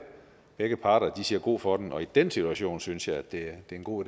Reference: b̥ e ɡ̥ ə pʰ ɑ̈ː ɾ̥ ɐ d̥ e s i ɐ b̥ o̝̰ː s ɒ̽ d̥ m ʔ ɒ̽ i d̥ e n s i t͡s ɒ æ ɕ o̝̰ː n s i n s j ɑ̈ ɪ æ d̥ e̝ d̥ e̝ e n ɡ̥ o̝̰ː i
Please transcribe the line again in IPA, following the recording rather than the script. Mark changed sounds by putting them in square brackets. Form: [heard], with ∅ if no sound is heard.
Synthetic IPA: b̥ e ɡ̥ ə pʰ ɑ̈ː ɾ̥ ɐ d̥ [i] s i ɐ [ɡ̥] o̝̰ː [f] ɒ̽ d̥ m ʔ ɒ̽ i d̥ e n s i t͡s [u] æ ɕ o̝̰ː n s [y] n s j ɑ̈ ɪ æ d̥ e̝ d̥ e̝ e n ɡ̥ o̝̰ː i